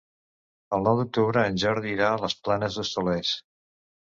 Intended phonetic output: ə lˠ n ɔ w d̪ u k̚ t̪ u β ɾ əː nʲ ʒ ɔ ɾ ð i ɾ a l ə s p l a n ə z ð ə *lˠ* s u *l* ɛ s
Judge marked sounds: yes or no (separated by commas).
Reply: no, yes